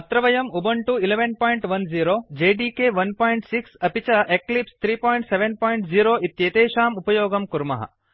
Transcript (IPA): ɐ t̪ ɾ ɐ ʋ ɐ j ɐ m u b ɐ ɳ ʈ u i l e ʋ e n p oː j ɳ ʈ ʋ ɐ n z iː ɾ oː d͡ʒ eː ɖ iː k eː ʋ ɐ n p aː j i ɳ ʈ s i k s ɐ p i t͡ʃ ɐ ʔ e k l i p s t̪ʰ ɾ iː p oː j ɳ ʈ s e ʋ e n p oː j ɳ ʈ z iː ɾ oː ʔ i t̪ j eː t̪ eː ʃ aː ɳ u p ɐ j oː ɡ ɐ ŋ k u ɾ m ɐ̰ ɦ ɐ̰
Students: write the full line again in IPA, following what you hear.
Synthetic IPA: ɐ t̪ ɾ ɐ ʋ ɐ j ɐ m u b ɐ ɳ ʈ u i l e ʋ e n p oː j ɳ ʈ ʋ ɐ n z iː ɾ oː d͡ʒ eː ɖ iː k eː ʋ ɐ n p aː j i ɳ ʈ s i k s ɐ p i t͡ʃ ɐ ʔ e k l i p s t̪ʰ ɾ iː p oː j ɳ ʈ s e ʋ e n p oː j ɳ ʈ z iː ɾ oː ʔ i t̪ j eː t̪ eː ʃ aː m u p ɐ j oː ɡ ɐ m k u ɾ m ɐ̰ ɦ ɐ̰